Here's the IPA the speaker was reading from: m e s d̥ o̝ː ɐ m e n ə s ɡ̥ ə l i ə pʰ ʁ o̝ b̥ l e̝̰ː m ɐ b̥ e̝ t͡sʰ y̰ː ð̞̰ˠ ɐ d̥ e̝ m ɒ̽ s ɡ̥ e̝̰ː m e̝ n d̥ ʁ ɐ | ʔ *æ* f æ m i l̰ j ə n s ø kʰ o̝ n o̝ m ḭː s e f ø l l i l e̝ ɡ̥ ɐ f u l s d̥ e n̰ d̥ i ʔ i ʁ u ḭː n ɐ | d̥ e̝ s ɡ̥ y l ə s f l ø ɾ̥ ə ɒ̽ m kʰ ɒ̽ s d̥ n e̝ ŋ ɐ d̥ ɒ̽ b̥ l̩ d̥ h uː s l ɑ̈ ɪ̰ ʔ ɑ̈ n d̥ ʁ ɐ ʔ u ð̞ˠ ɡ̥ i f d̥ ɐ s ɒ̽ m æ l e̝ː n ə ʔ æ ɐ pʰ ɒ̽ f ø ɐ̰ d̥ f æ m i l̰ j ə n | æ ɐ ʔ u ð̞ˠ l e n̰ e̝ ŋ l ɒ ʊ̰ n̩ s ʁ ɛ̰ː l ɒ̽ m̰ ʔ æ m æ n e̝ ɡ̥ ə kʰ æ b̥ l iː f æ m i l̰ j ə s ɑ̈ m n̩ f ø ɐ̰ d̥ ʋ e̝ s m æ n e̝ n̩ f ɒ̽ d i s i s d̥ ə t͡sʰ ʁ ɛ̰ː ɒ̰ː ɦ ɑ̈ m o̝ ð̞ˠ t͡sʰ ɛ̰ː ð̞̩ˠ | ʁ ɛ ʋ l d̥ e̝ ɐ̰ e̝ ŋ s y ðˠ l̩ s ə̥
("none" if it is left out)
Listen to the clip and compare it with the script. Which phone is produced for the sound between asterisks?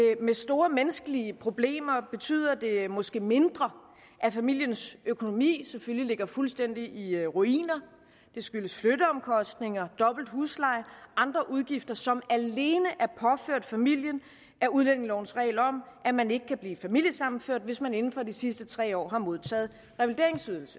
æ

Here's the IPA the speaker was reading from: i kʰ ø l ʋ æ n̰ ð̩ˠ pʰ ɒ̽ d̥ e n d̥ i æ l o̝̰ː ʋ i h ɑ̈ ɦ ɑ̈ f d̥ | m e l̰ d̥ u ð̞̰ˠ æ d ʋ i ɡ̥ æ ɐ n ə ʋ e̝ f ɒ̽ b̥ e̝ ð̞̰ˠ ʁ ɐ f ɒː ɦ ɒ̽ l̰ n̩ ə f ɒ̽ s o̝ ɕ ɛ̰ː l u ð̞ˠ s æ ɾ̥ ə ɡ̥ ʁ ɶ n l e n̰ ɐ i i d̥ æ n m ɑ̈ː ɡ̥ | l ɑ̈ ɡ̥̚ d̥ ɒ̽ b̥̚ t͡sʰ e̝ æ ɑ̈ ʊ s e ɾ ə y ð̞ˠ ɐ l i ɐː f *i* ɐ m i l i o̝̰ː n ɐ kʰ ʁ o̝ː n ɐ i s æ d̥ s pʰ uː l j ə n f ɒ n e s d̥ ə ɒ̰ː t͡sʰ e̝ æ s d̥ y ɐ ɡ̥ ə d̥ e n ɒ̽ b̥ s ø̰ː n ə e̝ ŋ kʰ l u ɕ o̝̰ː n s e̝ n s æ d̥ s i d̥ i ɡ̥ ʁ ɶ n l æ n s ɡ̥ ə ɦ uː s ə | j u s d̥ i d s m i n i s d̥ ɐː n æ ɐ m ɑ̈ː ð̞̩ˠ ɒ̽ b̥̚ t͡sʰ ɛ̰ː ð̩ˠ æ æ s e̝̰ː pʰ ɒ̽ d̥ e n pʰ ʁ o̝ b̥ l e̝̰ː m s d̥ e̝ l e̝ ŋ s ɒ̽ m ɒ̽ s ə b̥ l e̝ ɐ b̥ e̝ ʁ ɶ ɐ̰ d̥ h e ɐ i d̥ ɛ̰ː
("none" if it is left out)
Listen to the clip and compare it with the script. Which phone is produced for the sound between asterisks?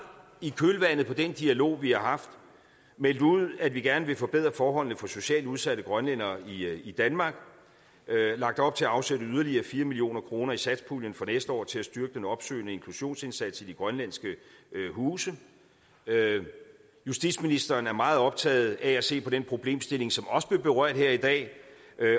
iː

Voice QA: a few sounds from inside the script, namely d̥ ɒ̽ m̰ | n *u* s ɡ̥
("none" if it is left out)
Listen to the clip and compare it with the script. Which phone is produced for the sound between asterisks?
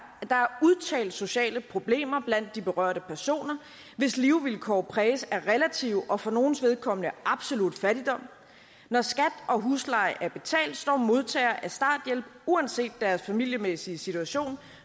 ɒ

